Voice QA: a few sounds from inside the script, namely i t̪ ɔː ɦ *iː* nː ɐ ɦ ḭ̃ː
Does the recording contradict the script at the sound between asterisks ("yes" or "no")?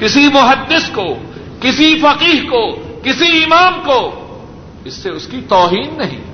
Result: no